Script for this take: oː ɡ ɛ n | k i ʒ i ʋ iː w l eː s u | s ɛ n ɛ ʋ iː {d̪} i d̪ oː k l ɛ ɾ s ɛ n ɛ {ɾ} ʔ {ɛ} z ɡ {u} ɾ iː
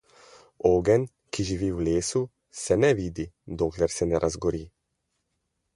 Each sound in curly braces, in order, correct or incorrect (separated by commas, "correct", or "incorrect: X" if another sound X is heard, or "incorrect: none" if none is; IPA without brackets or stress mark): correct, correct, incorrect: a, incorrect: ɔ